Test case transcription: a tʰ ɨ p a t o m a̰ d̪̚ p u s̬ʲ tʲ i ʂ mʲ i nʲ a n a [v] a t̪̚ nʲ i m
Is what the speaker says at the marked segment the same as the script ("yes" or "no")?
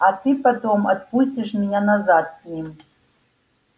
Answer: no